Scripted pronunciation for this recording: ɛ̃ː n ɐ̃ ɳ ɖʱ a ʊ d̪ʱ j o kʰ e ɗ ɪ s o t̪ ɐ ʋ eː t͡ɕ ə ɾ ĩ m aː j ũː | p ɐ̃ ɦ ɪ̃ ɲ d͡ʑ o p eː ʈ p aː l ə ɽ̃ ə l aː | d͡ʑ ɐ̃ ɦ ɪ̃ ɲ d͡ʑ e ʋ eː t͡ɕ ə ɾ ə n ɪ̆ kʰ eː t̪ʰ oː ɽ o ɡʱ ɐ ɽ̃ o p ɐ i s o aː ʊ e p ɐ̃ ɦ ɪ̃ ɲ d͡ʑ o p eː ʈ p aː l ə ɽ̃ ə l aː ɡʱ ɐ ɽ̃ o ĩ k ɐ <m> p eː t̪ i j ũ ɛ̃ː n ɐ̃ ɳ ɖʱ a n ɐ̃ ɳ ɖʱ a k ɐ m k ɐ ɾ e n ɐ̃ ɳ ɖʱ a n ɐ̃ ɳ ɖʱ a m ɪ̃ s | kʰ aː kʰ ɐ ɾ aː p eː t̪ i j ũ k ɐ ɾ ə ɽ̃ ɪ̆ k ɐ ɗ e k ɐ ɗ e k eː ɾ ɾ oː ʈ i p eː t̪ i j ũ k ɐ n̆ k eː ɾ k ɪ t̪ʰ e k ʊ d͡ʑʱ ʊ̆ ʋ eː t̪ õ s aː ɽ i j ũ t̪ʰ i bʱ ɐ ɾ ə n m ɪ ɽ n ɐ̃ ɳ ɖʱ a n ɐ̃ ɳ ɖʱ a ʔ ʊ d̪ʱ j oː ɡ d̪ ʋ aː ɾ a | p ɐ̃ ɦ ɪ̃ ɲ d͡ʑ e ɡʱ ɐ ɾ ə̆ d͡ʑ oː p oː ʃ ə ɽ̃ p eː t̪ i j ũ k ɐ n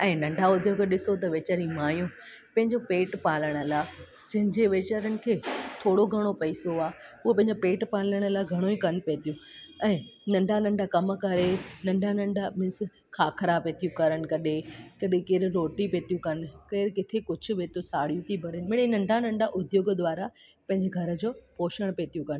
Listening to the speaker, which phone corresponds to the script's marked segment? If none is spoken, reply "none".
n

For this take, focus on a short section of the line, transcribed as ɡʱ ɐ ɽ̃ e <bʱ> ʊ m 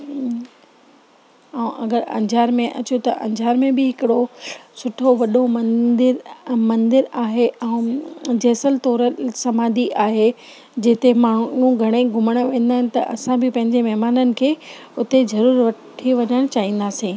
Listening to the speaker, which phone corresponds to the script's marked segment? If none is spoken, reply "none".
ɡʱ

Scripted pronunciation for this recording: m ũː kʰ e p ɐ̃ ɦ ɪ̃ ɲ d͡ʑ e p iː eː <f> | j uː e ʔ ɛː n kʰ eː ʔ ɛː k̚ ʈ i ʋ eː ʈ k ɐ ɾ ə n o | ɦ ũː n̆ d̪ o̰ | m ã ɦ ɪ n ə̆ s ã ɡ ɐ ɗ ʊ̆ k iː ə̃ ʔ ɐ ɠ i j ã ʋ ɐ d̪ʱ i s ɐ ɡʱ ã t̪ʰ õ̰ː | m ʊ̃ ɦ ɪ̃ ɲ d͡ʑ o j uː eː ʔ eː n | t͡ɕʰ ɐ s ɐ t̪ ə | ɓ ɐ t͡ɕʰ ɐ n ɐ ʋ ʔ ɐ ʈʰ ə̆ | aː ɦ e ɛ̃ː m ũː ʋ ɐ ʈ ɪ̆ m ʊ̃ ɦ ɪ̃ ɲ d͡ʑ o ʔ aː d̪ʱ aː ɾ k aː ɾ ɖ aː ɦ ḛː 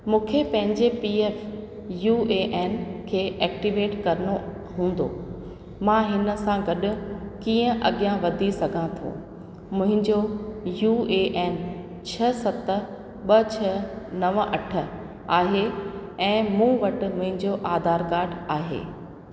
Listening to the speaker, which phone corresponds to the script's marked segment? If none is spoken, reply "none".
f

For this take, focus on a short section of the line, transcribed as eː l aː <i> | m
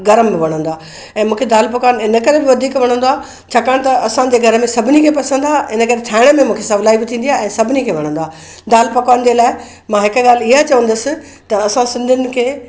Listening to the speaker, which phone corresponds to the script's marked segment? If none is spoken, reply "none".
ɪ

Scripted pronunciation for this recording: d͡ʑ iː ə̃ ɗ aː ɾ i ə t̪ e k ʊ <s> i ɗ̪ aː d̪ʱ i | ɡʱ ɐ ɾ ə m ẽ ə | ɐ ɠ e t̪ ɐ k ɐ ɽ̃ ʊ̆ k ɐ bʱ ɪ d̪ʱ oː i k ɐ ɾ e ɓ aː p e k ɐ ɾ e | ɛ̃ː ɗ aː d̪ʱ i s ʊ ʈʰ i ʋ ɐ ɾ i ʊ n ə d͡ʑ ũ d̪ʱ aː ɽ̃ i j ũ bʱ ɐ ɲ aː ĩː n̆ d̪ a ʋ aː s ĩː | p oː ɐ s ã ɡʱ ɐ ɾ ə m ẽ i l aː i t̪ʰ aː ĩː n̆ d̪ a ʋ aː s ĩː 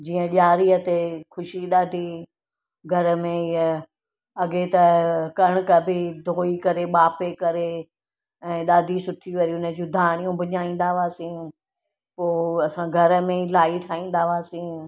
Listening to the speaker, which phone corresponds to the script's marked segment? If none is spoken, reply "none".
ʃ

